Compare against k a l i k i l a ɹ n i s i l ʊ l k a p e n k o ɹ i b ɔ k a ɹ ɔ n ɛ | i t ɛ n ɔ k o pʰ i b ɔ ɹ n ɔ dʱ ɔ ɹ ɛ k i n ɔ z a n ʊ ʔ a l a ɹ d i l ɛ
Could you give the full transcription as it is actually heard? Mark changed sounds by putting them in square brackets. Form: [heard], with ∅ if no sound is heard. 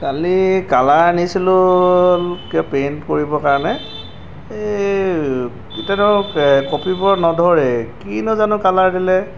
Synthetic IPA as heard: k a l i k [a] l a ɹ n i s i l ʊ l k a p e n k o ɹ i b ɔ k a ɹ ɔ n ɛ | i t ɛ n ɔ k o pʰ i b ɔ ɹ n ɔ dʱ ɔ ɹ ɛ k i n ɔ z a n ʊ [k] a l a ɹ d i l ɛ